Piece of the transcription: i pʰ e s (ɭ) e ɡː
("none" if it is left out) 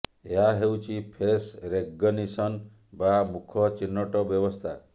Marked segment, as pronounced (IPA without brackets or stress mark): ɾ